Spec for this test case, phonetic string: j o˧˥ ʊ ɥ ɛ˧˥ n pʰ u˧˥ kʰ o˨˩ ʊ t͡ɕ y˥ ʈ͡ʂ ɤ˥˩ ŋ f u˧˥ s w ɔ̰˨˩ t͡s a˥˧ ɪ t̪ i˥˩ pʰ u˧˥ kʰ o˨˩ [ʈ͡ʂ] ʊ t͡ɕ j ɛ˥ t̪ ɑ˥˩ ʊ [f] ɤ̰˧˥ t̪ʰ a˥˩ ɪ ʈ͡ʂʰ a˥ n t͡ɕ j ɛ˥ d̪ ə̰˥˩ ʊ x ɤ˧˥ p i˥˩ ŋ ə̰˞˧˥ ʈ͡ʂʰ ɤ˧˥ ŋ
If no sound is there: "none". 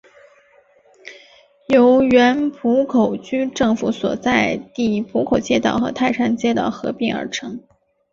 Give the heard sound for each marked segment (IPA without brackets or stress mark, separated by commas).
none, x